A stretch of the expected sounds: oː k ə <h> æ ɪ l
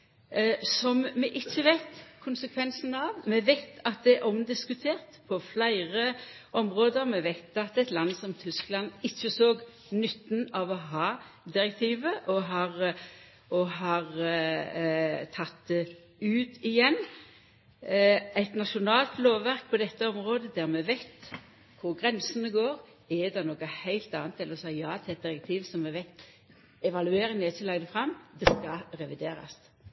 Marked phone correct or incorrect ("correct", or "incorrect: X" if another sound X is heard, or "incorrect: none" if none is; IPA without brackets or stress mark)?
correct